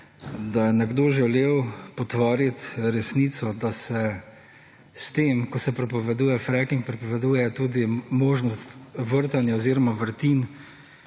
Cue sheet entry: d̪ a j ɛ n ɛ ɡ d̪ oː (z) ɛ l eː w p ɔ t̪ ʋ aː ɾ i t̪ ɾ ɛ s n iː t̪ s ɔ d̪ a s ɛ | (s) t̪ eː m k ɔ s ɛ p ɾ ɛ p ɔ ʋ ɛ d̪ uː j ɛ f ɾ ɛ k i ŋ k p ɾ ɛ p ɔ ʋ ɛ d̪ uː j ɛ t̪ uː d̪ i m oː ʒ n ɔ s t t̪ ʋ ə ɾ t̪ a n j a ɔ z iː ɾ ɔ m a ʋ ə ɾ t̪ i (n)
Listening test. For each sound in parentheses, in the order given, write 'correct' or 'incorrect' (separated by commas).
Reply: incorrect, correct, correct